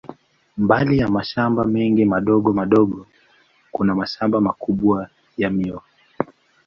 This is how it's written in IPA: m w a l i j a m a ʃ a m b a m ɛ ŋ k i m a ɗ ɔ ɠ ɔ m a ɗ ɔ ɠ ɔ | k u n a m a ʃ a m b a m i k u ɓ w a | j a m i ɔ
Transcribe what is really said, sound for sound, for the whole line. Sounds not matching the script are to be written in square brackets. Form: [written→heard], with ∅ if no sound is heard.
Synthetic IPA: m [w→b] a l i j a m a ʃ a m b a m ɛ ŋ [k→ɡ] i m a ɗ ɔ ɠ ɔ m a ɗ ɔ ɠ ɔ | k u n a m a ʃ a m b a m [i→a] k u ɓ w a | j a m i ɔ